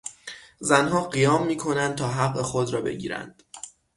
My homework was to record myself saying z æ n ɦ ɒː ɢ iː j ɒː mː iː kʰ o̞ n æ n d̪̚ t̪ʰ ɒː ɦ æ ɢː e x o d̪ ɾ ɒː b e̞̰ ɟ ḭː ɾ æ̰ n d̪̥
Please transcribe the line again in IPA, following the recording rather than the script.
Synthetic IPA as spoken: z æ n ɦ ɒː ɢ i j ɒː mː iː kʰ o̞ n æ n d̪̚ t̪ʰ ɒː ɦ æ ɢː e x o d̪ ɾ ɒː b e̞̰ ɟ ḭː ɾ æ̰ n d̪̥